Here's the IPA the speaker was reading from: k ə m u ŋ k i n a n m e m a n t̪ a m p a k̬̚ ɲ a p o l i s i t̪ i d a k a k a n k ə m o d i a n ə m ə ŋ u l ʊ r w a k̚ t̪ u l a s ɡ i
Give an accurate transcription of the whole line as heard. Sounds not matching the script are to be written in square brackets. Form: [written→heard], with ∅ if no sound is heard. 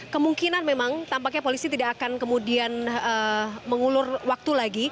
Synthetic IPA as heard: k ə m u ŋ k i n a n m e m a [n→ŋ] t̪ a m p a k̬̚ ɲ a p o l i s i t̪ i d a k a k a n k ə m [o→u] d i a n ə m ə ŋ u l ʊ r w a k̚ t̪ u l a [s→∅] ɡ i